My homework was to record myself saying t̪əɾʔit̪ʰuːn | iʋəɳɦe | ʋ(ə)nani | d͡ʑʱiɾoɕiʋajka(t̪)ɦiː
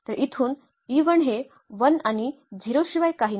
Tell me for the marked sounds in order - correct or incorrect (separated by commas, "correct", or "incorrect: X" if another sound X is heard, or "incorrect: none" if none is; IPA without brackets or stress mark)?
correct, incorrect: none